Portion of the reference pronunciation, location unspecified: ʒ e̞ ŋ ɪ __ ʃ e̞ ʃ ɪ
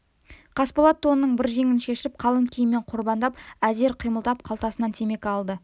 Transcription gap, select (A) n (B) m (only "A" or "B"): A